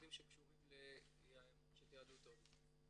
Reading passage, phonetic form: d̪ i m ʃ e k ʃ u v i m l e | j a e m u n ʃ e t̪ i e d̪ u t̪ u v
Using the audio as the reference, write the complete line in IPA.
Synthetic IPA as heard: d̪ i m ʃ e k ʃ u ʁ i m l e | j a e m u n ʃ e t̪ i a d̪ u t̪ o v